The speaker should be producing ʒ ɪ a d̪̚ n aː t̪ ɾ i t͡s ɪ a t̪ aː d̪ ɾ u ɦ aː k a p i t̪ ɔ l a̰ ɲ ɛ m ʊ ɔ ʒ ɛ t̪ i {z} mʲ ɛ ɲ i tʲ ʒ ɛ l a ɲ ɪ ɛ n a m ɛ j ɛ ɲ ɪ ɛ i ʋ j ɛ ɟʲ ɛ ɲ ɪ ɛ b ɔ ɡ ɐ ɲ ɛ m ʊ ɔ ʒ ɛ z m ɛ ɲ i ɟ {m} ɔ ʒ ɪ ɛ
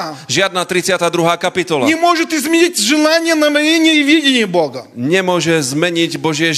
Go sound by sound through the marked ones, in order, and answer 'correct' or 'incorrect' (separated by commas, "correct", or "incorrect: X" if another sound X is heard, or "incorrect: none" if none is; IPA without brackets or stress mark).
correct, incorrect: b